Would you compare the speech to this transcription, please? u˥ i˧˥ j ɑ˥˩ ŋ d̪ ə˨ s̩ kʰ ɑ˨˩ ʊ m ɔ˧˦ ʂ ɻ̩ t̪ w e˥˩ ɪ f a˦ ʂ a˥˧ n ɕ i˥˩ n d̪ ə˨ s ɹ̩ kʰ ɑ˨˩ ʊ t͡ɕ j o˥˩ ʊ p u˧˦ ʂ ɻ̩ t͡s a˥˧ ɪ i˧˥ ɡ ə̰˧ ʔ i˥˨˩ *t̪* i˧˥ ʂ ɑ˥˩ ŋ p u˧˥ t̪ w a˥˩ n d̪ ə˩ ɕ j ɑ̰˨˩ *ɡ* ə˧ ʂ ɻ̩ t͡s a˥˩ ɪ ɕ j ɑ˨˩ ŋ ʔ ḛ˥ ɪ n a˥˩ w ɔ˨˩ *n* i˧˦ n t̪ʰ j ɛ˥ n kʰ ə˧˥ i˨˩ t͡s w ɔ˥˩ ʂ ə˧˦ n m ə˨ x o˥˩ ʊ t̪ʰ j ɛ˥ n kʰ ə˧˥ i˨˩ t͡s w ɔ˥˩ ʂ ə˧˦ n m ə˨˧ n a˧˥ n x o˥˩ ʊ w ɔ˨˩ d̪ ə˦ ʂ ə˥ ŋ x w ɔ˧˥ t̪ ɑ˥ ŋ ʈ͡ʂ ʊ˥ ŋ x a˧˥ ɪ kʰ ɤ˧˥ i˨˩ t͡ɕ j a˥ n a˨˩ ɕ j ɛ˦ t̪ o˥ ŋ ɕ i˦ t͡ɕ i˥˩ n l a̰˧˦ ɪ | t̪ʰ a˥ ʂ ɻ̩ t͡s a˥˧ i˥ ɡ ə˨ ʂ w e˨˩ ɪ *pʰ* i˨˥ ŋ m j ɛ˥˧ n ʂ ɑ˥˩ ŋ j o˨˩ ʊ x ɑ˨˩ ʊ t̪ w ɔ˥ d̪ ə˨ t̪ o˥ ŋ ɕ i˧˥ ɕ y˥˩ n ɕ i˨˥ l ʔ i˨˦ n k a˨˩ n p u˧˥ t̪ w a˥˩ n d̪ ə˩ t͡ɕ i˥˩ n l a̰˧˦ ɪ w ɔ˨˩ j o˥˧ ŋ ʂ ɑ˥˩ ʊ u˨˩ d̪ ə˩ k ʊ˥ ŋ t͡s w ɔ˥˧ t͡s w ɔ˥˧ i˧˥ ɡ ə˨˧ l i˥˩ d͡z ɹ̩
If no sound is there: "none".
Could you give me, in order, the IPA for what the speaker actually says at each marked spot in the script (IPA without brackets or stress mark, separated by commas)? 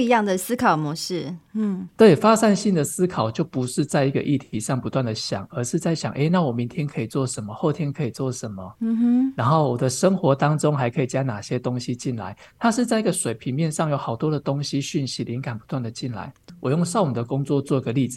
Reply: t̪ʰ, ŋ, m, pʰ